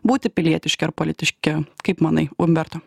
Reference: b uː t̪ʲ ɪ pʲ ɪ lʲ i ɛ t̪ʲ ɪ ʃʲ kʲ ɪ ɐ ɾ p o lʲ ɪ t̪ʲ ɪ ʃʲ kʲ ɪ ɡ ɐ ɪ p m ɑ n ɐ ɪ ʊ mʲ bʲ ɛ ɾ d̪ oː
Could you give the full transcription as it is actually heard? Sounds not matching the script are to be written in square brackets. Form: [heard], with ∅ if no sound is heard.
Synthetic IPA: b uː t̪ʲ ɪ pʲ ɪ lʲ i ɛ t̪ʲ ɪ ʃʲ kʲ ɪ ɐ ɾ p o lʲ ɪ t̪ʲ ɪ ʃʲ kʲ ɪ [k] ɐ ɪ p m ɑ n ɐ ɪ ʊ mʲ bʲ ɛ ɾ [t̪] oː